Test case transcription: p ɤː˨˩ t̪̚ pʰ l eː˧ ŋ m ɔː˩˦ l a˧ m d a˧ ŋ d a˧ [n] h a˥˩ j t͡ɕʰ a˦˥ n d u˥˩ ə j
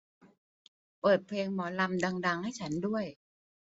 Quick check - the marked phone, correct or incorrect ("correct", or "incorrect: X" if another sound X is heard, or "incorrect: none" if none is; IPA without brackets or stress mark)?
incorrect: ŋ